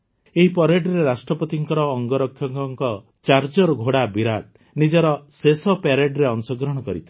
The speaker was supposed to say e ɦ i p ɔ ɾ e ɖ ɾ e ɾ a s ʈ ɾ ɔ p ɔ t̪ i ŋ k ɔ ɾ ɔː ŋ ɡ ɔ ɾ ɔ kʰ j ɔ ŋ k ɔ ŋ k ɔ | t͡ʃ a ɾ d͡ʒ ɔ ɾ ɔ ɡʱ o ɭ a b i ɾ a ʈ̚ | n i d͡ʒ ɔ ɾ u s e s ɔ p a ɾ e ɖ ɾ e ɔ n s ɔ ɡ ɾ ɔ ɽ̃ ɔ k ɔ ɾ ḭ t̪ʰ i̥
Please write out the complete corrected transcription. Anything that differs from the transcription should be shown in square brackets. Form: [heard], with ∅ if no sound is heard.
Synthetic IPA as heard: e ɦ i p ɔ ɾ e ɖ ɾ e ɾ a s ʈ ɾ ɔ p ɔ t̪ i ŋ k ɔ ɾ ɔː ŋ ɡ ɔ ɾ ɔ kʰ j ɔ ŋ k ɔ ŋ k ɔ | t͡ʃ a ɾ d͡ʒ ɔ ɾ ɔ ɡʱ o [ɽ] a b i ɾ a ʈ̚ | n i d͡ʒ ɔ ɾ [ɔ] s e s ɔ p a ɾ e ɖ ɾ e ɔ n s ɔ ɡ ɾ ɔ ɽ̃ ɔ k ɔ ɾ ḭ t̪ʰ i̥

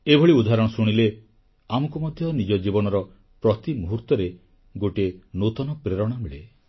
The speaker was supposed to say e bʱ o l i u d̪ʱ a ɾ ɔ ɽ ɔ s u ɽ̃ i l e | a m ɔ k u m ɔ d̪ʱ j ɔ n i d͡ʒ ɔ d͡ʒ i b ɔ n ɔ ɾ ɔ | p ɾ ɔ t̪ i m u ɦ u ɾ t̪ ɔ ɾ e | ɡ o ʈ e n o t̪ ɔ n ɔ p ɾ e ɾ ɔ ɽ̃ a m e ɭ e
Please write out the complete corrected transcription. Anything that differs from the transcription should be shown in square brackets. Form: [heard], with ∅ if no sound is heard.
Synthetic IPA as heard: e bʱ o [ɭ] i u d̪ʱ a ɾ ɔ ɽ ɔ s u ɽ̃ i l e | a m ɔ k u m ɔ d̪ʱ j ɔ n i d͡ʒ ɔ d͡ʒ i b ɔ n ɔ ɾ ɔ | p ɾ ɔ t̪ i m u ɦ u ɾ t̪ ɔ ɾ e | ɡ o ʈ e n o t̪ ɔ n ɔ p ɾ e ɾ ɔ ɽ̃ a m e ɭ e

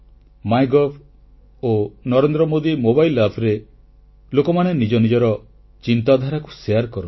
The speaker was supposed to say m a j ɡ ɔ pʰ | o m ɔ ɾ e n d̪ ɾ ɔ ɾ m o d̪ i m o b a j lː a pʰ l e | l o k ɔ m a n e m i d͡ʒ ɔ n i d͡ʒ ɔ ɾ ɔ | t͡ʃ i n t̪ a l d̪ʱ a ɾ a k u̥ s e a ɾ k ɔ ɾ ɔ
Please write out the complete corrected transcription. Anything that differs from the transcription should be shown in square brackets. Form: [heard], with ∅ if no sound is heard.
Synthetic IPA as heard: m a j ɡ ɔ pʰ | o [n] ɔ ɾ e n d̪ ɾ ɔ [∅] m o d̪ i m o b a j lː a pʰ [ɾ] e | l o k ɔ m a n e [n] i d͡ʒ ɔ n i d͡ʒ ɔ ɾ ɔ | t͡ʃ i n t̪ a [∅] d̪ʱ a ɾ a k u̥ s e a ɾ k ɔ ɾ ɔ

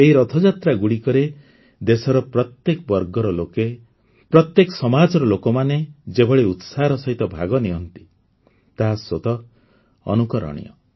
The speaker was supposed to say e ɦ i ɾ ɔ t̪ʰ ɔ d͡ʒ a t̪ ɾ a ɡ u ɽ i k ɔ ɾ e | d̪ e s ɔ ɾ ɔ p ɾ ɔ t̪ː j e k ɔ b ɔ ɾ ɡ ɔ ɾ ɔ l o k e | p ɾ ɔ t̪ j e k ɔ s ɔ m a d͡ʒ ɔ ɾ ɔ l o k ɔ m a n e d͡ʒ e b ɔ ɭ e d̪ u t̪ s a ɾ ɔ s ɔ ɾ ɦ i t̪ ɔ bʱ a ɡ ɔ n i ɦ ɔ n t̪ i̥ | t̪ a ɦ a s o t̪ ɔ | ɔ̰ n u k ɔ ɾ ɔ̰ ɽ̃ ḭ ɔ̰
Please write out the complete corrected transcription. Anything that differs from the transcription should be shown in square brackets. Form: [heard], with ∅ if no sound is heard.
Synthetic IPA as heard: e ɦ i ɾ ɔ t̪ʰ ɔ d͡ʒ a t̪ ɾ a ɡ u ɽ i k ɔ ɾ e | d̪ e s ɔ ɾ ɔ p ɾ ɔ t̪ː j e k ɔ b ɔ ɾ ɡ ɔ ɾ ɔ l o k e | p ɾ ɔ t̪ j e k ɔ s ɔ m a d͡ʒ ɔ ɾ ɔ l o k ɔ m a n e d͡ʒ e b ɔ ɭ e [∅] u t̪ s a ɾ ɔ s ɔ [∅] ɦ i t̪ ɔ bʱ a ɡ ɔ n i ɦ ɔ n t̪ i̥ | t̪ a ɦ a s o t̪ ɔ | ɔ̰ n u k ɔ ɾ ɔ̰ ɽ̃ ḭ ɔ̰

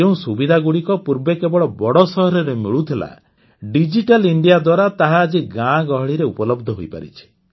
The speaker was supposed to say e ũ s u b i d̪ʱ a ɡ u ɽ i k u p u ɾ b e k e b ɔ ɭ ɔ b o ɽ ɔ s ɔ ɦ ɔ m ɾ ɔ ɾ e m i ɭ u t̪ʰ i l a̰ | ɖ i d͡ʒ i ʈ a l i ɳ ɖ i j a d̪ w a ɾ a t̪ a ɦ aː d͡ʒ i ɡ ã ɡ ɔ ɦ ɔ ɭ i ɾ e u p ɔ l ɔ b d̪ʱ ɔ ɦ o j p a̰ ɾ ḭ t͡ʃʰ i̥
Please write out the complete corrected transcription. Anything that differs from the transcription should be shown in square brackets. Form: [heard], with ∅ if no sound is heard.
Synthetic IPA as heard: e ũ s u b i d̪ʱ a ɡ u ɽ i k [ɔ] p u ɾ b e k e b ɔ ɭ ɔ b [ɔ] ɽ ɔ s ɔ ɦ ɔ [∅] ɾ ɔ ɾ e m i ɭ u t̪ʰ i l a̰ | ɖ i d͡ʒ i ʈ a l i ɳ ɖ i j a d̪ w a ɾ a t̪ a ɦ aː d͡ʒ i ɡ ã ɡ ɔ ɦ ɔ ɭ i ɾ e u p ɔ l ɔ b d̪ʱ ɔ ɦ o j p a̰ ɾ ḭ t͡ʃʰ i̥

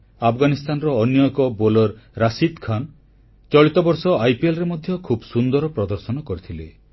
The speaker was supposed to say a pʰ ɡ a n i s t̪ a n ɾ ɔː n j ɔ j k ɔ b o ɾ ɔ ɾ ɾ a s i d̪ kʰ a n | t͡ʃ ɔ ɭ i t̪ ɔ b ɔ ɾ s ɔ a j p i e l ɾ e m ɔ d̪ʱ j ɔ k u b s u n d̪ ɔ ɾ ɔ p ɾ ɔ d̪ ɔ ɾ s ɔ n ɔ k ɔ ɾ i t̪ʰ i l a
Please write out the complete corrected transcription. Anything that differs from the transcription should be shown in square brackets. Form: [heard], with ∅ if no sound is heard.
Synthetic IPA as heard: a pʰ ɡ a n i s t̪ a n ɾ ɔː n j ɔ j k ɔ b o [l] ɔ ɾ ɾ a s i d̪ kʰ a n | t͡ʃ ɔ ɭ i t̪ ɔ b ɔ ɾ s ɔ a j p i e l ɾ e m ɔ d̪ʱ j ɔ [kʰ] u b s u n d̪ ɔ ɾ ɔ p ɾ ɔ d̪ ɔ ɾ s ɔ n ɔ k ɔ ɾ i t̪ʰ i l [e]

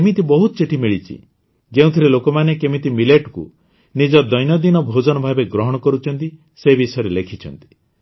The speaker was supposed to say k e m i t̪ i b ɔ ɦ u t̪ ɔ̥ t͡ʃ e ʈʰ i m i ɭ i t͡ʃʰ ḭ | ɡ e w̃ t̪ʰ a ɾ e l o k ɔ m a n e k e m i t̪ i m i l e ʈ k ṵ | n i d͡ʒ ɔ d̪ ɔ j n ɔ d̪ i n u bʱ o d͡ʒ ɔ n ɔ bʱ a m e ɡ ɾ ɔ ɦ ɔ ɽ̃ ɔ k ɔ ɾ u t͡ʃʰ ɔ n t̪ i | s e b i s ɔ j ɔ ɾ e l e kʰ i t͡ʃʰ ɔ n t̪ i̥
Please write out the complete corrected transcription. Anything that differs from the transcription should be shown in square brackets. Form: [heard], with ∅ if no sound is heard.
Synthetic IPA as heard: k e m i t̪ i b ɔ ɦ u t̪ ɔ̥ t͡ʃ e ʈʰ i m i ɭ i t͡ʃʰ ḭ | ɡ e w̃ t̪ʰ [i] ɾ e l o k ɔ m a n e k e m i t̪ i m i l e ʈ k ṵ | n i d͡ʒ ɔ d̪ ɔ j n ɔ d̪ i n [ɔ] bʱ o d͡ʒ ɔ n ɔ bʱ a [b] e ɡ ɾ ɔ ɦ ɔ ɽ̃ ɔ k ɔ ɾ u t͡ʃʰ ɔ n t̪ i | s e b i s ɔ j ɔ ɾ e l e kʰ i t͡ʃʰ ɔ n t̪ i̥

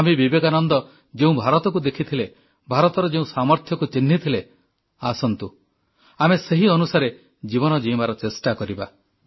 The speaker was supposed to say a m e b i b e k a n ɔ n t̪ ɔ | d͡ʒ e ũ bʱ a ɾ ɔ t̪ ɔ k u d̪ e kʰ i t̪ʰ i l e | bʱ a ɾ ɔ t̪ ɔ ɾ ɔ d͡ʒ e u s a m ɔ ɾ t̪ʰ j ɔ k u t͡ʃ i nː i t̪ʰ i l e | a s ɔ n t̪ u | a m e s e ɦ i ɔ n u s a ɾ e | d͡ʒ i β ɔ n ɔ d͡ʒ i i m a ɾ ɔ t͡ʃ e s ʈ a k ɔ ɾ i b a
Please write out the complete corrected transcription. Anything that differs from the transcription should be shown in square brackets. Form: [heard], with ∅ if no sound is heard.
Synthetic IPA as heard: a m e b i b e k a n ɔ n [d̪] ɔ | d͡ʒ e ũ bʱ a ɾ ɔ t̪ ɔ k u d̪ e kʰ i t̪ʰ i l e | bʱ a ɾ ɔ t̪ ɔ ɾ ɔ d͡ʒ e [ũ] s a m ɔ ɾ t̪ʰ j ɔ k u t͡ʃ i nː i t̪ʰ i l e | a s ɔ n t̪ u | a m e s e ɦ i ɔ n u s a ɾ e | d͡ʒ i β ɔ n ɔ d͡ʒ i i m a ɾ ɔ t͡ʃ e s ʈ a k ɔ ɾ i b a

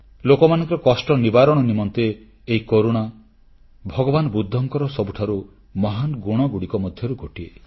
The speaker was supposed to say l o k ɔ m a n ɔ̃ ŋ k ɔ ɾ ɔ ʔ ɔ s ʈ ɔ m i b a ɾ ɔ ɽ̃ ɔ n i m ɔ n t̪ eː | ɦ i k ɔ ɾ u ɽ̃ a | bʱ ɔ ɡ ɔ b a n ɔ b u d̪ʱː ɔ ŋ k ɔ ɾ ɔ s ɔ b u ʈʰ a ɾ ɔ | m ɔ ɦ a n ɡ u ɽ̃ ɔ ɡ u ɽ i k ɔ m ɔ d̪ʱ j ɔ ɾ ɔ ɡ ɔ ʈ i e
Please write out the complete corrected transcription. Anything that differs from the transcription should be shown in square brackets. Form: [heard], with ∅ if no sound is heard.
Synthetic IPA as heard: l o k ɔ m a n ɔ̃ ŋ k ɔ ɾ ɔ [k] ɔ s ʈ ɔ [n] i b a ɾ ɔ ɽ̃ ɔ n i m ɔ n t̪ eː | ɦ i k [o] ɾ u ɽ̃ a | bʱ ɔ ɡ ɔ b a n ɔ b u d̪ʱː ɔ ŋ k ɔ ɾ ɔ s ɔ b u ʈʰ a ɾ [u] | m ɔ ɦ a n ɡ u ɽ̃ ɔ ɡ u ɽ i k ɔ m ɔ d̪ʱ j ɔ ɾ [u] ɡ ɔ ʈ i e

